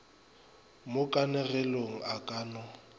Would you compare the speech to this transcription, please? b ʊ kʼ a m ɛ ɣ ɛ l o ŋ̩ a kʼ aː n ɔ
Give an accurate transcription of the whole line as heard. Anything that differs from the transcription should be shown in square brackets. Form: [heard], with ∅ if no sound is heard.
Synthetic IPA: [m] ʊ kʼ a [n] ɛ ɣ ɛ l o ŋ̩ a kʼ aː n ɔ